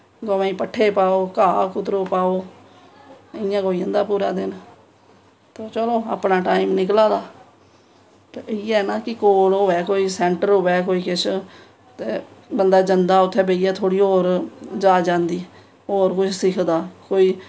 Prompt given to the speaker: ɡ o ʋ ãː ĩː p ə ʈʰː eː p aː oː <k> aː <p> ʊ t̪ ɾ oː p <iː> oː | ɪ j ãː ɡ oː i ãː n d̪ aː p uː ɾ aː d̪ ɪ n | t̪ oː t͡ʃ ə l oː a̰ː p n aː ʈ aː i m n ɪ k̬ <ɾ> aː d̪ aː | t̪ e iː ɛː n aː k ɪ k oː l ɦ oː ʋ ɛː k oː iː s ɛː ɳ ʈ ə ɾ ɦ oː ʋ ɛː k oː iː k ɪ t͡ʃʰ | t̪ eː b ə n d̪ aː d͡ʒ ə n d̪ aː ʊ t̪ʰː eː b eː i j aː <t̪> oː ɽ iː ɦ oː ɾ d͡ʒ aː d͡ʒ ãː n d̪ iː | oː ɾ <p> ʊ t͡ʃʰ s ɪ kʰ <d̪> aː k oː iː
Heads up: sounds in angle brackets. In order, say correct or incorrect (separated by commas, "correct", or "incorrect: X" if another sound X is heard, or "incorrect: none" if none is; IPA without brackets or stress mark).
correct, incorrect: k, incorrect: aː, incorrect: l, incorrect: t̪ʰ, incorrect: k, correct